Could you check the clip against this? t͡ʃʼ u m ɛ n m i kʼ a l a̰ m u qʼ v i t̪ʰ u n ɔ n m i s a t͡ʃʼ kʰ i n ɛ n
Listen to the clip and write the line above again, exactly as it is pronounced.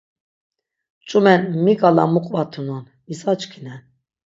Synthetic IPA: t͡ʃʼ u m ɛ n m i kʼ a l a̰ m u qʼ v a t̪ʰ u n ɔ n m i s a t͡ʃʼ kʰ i n ɛ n